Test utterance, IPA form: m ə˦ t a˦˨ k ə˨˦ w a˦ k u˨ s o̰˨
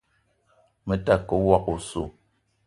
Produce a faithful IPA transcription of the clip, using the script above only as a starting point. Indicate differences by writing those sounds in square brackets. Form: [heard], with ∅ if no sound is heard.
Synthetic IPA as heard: m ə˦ t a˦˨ k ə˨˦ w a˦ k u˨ s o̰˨